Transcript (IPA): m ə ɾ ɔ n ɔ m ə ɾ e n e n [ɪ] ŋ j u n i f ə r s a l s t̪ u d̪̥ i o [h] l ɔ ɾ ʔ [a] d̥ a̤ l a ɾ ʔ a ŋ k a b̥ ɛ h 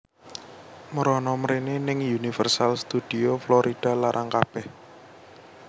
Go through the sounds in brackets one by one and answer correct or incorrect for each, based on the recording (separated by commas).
correct, incorrect, incorrect